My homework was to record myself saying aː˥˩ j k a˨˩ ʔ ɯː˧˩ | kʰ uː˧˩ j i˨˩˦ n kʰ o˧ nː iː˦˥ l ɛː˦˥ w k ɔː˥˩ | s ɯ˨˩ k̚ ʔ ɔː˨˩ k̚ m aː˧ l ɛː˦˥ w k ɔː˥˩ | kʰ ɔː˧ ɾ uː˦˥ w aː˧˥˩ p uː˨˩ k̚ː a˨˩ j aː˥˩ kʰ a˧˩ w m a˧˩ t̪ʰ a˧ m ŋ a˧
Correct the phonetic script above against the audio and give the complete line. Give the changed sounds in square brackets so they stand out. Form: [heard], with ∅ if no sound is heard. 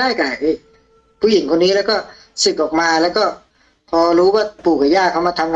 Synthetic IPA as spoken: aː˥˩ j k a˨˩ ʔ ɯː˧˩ | [pʰ] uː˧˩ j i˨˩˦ [ŋ] kʰ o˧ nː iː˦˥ l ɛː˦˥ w k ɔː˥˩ | s ɯ˨˩ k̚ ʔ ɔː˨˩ k̚ m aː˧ l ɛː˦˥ w k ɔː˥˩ | [pʰ] ɔː˧ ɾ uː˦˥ w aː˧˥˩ p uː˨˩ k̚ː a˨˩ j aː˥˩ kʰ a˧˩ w m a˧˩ t̪ʰ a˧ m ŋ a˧